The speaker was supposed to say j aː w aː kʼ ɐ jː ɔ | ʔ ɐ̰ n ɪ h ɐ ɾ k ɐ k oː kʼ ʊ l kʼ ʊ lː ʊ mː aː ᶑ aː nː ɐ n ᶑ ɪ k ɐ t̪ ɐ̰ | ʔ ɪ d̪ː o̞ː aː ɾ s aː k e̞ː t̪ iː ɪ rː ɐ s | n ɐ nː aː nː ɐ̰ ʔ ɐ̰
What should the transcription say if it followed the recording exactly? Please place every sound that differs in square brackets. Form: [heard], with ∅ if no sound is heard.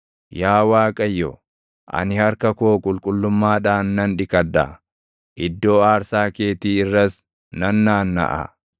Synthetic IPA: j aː w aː kʼ ɐ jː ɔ | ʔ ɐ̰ n ɪ h ɐ ɾ k ɐ k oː kʼ ʊ l kʼ ʊ lː ʊ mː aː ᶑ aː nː ɐ n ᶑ ɪ k ɐ [d̪] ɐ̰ | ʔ ɪ d̪ː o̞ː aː ɾ s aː k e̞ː t̪ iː ɪ rː ɐ s | n ɐ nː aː nː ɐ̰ ʔ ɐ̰